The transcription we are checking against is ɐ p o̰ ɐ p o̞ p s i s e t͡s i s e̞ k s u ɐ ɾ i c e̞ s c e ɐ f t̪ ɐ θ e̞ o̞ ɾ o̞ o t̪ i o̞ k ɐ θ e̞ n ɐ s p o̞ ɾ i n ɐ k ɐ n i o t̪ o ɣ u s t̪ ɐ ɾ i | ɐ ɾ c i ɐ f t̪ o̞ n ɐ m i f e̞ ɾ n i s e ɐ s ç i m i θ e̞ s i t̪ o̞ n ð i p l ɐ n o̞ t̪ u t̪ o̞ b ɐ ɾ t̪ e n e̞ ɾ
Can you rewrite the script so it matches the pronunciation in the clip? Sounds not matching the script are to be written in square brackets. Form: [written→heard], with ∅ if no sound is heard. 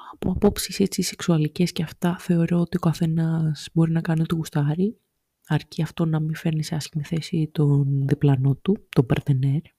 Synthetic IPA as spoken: ɐ p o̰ ɐ p o̞ p s i s e t͡s i s e̞ k s u ɐ [ɾ→l] i c e̞ s c e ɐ f t̪ ɐ θ e̞ o̞ ɾ o̞ o t̪ i o̞ k ɐ θ e̞ n ɐ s [p→b] o̞ ɾ i n ɐ k ɐ n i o t̪ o ɣ u s t̪ ɐ ɾ i | ɐ ɾ c i ɐ f t̪ o̞ n ɐ m i f e̞ ɾ n i s e ɐ s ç i m i θ e̞ s i t̪ o̞ n ð i p l ɐ n o̞ t̪ u t̪ o̞ b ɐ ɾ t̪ e n e̞ ɾ